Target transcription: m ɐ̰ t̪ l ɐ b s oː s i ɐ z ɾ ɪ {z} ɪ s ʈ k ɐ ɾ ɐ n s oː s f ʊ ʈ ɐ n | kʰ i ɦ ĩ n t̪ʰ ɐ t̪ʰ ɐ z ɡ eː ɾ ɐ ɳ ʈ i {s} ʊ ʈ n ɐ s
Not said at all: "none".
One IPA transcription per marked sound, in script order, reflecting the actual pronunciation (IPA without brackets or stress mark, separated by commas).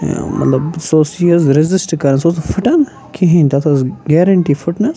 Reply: z, f